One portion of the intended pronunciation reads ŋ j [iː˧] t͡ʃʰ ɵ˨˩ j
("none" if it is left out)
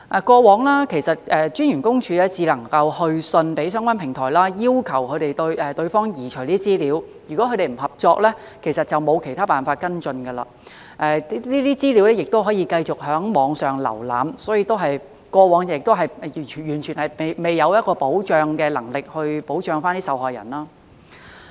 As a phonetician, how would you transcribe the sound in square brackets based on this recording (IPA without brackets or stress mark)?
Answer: iː˨˩